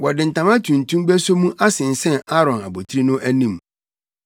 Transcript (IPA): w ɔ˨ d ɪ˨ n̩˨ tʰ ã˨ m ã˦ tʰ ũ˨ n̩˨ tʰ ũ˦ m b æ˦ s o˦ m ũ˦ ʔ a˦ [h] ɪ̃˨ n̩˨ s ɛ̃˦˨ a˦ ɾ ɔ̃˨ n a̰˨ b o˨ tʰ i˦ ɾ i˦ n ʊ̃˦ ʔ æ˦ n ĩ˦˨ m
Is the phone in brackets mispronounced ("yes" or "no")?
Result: yes